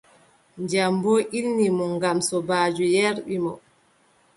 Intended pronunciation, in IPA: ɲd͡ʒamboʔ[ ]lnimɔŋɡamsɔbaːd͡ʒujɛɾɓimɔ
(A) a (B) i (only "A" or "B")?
B